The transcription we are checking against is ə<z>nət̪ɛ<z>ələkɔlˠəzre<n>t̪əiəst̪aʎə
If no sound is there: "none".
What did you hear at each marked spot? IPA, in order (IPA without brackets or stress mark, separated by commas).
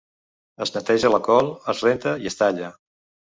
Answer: z, ʒ, n